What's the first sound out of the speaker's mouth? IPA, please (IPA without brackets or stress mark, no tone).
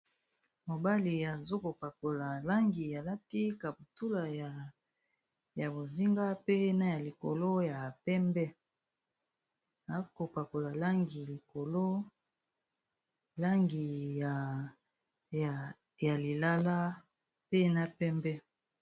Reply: m